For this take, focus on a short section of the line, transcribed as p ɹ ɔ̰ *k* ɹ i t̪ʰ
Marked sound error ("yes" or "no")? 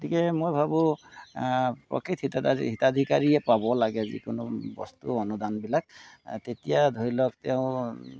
no